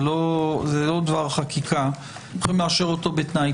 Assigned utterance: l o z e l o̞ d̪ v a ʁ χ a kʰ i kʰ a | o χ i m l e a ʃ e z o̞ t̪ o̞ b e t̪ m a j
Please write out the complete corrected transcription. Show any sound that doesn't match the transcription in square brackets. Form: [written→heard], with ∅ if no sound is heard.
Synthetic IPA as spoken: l o z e l o̞ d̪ v a ʁ χ a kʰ i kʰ a | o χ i m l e a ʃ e [z→ʁ] o̞ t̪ o̞ b e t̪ [m→n] a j